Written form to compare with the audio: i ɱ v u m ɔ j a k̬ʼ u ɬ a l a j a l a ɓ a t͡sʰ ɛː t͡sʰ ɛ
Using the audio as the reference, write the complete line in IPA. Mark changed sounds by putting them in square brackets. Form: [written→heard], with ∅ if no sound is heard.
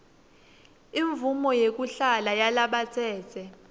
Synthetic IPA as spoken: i ɱ v u m ɔ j [a→e] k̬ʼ u ɬ a l a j a l a ɓ a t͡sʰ ɛː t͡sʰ ɛ